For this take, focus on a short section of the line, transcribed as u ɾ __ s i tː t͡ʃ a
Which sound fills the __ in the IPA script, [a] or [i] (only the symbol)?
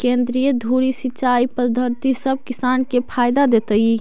i